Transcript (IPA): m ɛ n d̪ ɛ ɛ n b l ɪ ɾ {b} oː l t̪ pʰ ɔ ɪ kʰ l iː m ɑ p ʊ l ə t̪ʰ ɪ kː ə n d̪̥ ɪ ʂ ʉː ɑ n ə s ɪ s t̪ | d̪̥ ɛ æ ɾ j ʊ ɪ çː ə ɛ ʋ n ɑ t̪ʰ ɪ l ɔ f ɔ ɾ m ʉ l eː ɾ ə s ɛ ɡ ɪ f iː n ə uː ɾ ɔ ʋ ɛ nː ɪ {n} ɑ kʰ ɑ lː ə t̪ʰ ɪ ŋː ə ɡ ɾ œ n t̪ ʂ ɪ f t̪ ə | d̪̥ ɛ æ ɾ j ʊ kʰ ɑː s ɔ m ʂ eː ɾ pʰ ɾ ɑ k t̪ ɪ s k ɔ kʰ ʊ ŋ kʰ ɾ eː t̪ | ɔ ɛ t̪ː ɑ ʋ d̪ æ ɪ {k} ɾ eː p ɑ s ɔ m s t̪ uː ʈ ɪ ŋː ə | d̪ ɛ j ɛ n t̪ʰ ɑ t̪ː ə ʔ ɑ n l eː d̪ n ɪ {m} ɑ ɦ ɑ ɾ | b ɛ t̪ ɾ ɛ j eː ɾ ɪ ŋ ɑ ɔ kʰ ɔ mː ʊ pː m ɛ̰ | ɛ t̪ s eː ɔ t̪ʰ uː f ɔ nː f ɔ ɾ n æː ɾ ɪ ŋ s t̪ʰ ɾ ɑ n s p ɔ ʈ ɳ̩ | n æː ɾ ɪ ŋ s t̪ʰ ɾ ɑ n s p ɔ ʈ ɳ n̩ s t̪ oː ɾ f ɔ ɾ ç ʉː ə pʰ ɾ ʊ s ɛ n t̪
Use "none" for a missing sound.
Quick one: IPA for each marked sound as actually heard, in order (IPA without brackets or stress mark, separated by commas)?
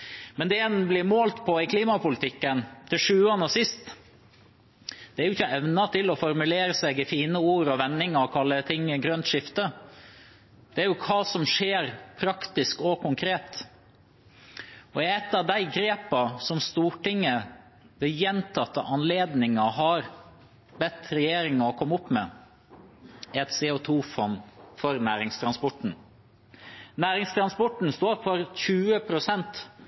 m, ŋ, ɡ, ŋ